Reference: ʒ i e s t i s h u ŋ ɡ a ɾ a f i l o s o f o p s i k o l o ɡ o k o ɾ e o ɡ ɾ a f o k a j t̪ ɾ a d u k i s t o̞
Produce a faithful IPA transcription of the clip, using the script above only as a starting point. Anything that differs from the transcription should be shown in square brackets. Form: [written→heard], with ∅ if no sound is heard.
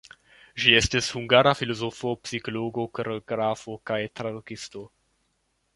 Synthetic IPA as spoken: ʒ i e s t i s h u ŋ ɡ a ɾ a f i l o [s→z] o f o p s i k o l o ɡ o k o ɾ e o ɡ ɾ a f o k a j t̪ ɾ a d u k i s t o̞